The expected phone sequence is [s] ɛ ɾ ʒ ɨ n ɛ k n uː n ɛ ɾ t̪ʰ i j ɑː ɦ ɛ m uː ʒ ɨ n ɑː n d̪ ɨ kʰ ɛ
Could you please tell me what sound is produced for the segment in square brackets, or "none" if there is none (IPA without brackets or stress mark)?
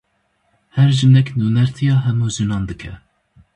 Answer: h